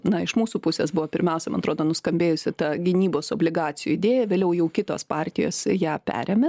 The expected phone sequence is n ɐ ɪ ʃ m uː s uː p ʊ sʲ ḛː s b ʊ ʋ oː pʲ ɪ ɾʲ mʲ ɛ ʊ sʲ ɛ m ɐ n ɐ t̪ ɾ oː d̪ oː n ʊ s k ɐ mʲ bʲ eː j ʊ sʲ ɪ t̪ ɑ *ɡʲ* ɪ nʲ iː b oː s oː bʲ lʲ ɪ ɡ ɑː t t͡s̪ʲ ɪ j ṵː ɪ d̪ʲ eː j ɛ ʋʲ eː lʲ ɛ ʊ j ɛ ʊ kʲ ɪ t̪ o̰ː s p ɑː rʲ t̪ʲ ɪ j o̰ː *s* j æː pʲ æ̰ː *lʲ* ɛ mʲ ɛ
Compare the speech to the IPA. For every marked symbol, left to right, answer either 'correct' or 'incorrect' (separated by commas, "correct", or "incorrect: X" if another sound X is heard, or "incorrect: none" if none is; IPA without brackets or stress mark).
correct, correct, incorrect: ɾʲ